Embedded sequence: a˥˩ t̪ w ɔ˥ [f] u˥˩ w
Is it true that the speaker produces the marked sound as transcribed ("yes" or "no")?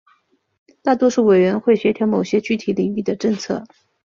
no